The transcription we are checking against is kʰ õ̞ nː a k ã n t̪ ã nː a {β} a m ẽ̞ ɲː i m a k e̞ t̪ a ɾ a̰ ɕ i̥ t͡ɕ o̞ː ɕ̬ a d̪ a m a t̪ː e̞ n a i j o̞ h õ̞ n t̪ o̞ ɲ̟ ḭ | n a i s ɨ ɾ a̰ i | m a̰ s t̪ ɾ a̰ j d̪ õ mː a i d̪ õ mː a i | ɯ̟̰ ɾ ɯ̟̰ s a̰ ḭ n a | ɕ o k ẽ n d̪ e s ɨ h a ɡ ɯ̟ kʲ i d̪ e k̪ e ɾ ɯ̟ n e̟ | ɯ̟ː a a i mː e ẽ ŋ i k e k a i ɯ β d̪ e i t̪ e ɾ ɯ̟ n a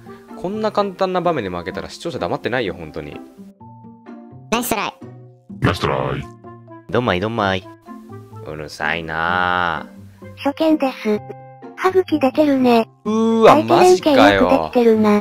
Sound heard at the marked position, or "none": b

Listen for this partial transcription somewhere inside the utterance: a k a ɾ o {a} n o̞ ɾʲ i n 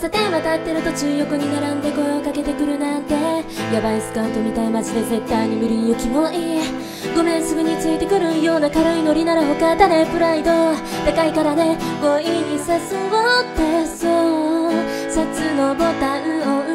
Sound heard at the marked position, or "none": i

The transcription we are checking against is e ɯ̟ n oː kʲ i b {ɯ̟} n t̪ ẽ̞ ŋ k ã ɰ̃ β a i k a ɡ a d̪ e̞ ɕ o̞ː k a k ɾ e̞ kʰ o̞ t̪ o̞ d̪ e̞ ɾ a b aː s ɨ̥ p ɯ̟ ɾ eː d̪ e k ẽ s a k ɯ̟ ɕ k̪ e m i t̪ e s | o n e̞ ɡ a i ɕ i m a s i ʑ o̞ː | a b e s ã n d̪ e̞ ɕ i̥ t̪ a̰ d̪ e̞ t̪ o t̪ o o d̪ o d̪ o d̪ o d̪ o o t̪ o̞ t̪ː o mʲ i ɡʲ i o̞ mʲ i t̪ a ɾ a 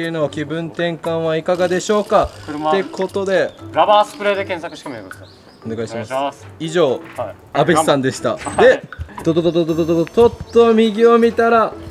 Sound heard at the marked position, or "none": ɯ̟̃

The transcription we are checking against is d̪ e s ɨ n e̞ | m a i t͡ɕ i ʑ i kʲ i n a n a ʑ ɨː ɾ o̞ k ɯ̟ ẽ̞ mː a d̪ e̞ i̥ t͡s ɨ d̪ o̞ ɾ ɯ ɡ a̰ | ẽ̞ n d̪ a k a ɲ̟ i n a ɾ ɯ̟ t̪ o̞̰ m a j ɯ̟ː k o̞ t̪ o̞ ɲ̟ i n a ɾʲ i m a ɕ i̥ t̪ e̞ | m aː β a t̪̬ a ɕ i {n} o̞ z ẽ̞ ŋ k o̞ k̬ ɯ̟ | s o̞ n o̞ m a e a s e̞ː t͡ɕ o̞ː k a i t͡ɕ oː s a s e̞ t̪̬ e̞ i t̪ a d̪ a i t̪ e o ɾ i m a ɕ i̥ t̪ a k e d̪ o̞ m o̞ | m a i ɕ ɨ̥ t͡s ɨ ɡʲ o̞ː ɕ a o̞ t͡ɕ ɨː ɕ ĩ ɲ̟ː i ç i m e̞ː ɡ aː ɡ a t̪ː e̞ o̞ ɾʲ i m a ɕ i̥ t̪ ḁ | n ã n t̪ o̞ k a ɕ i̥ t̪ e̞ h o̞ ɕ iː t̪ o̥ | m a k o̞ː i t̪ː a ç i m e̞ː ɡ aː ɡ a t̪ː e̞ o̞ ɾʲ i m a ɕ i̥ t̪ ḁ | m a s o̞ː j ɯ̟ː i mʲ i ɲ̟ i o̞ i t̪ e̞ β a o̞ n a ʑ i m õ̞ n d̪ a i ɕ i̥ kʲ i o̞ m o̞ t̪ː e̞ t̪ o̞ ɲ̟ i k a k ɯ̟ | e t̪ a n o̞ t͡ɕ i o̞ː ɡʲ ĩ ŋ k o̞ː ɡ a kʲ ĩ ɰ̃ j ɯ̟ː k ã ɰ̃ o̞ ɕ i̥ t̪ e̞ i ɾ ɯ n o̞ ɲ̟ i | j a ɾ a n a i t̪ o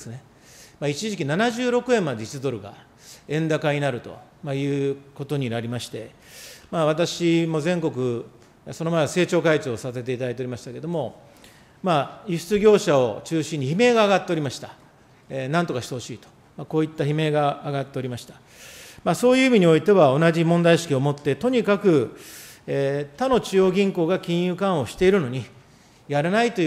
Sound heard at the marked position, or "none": m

